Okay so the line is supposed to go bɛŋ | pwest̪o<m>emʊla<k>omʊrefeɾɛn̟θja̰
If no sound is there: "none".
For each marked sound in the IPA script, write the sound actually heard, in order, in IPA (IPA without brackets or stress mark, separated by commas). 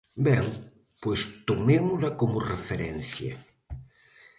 m, k